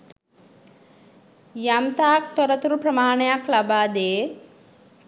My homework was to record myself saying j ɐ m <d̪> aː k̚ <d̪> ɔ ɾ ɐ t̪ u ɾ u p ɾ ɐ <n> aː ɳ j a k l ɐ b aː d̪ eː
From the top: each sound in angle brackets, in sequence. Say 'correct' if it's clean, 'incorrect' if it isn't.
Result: incorrect: t̪, incorrect: t̪, incorrect: m

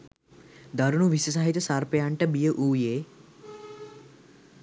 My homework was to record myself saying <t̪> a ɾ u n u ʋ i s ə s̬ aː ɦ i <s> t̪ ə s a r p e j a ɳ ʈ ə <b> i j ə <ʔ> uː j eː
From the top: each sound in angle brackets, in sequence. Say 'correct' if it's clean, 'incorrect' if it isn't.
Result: incorrect: d̪, incorrect: none, correct, correct

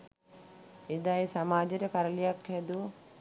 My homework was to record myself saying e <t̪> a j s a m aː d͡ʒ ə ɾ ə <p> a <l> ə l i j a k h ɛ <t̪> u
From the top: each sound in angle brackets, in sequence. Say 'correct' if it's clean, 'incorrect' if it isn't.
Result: incorrect: d̪, incorrect: k, incorrect: ɾ, incorrect: d̪

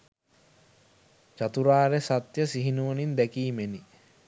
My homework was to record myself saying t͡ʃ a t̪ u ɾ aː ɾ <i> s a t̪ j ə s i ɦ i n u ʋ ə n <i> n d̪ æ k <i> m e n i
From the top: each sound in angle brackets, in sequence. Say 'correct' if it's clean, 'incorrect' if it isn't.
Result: incorrect: e, correct, incorrect: iː

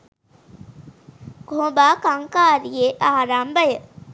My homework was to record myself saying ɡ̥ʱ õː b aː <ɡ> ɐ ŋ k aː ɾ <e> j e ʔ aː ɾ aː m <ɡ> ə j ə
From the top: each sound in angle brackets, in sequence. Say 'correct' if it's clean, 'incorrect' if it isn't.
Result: incorrect: k, incorrect: i, incorrect: b

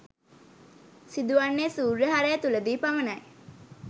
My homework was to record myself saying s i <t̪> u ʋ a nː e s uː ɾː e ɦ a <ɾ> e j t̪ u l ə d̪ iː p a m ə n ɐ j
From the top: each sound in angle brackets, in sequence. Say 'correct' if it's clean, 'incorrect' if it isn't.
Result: incorrect: d̪, correct

